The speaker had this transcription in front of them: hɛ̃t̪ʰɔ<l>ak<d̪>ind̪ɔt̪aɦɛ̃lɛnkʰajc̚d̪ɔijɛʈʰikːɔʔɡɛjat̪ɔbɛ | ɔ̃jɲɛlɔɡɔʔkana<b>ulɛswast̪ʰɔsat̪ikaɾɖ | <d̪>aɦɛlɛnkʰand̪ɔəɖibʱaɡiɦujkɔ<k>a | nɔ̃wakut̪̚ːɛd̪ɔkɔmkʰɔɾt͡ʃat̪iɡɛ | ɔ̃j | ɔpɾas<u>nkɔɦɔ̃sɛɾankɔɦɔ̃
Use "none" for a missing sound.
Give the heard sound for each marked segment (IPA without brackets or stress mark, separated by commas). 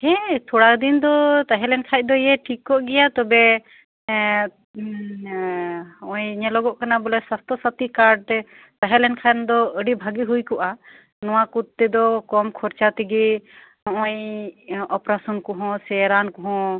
ɽ, d̪, b, t̪, ʔ, ɔ